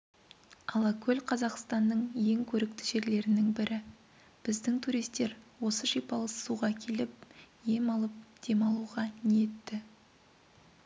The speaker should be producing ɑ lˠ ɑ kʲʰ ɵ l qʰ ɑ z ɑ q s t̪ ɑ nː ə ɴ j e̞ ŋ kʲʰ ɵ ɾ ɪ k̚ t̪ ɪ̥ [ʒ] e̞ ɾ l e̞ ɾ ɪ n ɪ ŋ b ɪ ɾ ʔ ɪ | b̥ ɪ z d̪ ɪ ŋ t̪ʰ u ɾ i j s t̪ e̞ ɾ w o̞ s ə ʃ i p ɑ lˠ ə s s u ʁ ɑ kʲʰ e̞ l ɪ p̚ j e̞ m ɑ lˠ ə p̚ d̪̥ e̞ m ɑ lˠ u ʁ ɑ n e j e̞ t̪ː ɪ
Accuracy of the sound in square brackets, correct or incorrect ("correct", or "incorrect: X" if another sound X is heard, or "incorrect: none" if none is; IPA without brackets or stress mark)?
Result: correct